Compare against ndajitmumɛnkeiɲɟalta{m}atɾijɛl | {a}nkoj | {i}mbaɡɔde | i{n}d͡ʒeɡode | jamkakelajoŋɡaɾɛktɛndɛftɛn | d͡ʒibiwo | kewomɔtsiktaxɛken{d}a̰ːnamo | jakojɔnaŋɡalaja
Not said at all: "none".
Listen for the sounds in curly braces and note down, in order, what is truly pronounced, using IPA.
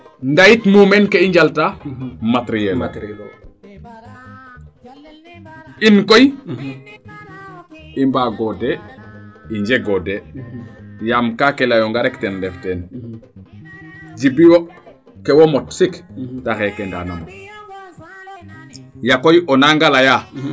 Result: m, i, i, ɲ, d

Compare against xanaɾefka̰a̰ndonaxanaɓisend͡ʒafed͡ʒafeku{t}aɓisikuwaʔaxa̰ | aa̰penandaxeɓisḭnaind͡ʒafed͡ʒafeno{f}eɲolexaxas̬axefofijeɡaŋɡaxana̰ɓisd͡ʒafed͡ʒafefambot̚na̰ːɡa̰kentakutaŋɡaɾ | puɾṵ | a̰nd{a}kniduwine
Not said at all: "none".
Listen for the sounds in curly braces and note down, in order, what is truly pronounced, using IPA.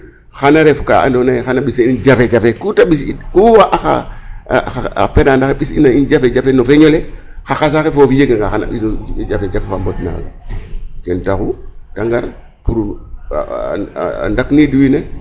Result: t, f, a

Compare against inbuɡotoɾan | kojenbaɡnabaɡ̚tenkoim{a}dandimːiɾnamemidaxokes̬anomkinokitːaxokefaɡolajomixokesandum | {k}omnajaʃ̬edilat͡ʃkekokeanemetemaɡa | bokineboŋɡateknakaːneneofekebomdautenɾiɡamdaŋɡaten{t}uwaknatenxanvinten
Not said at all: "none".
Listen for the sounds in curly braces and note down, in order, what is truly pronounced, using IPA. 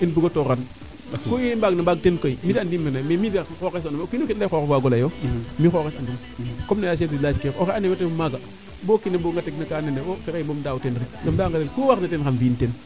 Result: i, k, k

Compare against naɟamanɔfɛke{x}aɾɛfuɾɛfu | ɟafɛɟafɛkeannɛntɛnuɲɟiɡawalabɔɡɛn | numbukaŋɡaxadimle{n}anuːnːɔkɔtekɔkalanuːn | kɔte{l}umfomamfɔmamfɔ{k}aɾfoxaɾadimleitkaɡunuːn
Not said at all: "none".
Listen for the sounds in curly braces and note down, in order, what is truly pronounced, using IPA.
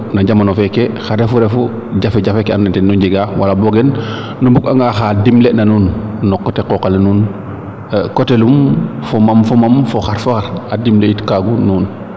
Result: x, n, l, x

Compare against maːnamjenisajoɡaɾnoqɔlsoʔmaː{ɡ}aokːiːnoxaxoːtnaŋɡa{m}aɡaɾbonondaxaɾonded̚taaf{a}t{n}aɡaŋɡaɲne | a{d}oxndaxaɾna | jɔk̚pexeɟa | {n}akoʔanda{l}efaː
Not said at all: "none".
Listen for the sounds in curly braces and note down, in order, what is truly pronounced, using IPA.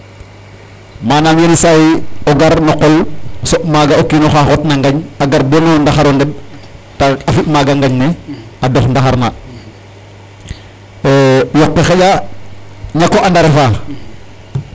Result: ɡ, ɲ, i, m, d, ɲ, ɾ

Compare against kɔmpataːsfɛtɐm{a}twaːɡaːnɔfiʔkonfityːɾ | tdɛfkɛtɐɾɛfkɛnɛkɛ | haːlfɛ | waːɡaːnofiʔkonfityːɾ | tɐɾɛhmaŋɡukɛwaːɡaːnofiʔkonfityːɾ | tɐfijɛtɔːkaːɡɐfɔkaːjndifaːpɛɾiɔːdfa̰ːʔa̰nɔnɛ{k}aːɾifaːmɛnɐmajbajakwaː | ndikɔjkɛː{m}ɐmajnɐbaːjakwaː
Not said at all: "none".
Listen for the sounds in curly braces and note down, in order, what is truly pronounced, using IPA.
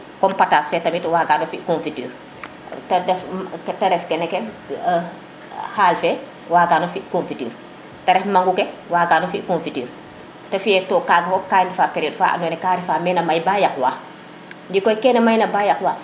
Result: i, k, n

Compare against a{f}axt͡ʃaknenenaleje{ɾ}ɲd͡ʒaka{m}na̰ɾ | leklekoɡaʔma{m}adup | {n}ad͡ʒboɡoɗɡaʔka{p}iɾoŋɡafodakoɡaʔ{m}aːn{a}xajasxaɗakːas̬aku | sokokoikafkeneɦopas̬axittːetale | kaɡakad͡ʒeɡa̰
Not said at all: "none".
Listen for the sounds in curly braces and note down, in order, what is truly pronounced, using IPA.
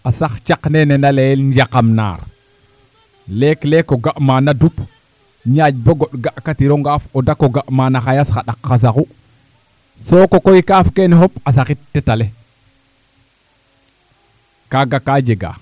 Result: s, l, m, n, ɲ, t, m, a

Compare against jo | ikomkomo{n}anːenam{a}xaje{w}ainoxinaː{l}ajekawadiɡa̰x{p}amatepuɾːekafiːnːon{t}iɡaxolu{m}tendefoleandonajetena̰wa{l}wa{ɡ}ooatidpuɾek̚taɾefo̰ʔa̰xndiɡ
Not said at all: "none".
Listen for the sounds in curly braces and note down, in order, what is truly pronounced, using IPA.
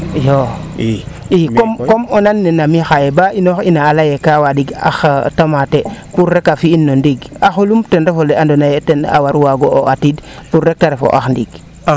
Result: n, i, b, l, t, d, m, ɾ, ɡ

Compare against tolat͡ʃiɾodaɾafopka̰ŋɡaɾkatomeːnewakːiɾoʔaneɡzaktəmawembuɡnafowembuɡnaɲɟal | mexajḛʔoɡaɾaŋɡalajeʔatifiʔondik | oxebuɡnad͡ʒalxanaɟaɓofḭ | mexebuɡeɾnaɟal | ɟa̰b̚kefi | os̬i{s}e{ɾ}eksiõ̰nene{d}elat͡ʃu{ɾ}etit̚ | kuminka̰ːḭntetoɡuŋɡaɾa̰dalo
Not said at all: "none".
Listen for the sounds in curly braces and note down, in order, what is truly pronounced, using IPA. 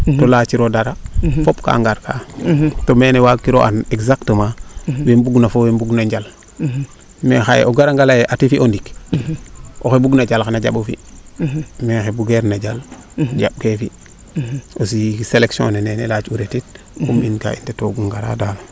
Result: s, l, n, ɾ

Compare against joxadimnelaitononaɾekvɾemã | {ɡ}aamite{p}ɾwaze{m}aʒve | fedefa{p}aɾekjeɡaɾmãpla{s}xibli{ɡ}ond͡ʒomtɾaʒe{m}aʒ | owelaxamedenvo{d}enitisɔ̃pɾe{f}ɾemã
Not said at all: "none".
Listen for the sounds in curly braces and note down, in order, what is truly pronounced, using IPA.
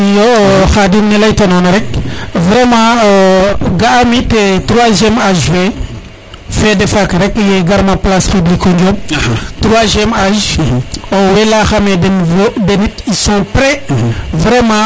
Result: ɡ, t, m, k, s, k, m, d, v

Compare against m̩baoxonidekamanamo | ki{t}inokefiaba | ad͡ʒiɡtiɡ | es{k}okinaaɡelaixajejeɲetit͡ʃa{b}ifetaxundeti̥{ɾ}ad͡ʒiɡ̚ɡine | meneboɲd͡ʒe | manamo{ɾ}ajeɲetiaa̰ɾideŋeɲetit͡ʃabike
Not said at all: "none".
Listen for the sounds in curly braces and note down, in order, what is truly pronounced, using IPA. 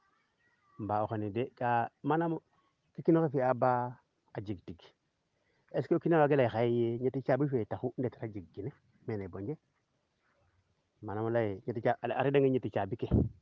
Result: k, k, b, ɾ, l

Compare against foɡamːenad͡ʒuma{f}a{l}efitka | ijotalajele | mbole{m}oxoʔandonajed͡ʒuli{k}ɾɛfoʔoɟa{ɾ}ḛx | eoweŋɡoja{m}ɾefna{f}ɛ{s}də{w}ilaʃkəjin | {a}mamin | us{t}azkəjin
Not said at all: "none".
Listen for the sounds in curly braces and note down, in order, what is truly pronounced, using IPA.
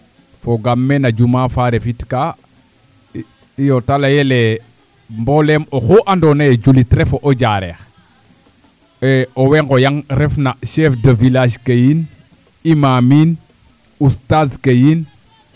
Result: f, ɾ, m, t, ɾ, ŋ, ʃ, f, v, i, t

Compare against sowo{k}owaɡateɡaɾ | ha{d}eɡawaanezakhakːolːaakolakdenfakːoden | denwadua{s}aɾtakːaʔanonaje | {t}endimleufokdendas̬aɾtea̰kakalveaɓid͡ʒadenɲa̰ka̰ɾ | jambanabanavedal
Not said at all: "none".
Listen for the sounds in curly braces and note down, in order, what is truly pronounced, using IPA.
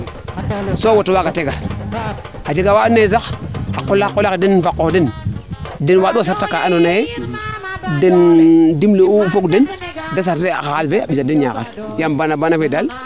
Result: t, d͡ʒ, s, d

